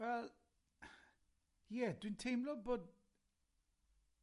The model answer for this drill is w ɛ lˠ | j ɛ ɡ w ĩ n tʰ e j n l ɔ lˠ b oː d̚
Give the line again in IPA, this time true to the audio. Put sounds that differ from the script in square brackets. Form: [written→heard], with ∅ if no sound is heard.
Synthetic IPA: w ɛ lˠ | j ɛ [ɡ→d] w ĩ n tʰ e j [n→m] l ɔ [lˠ→∅] b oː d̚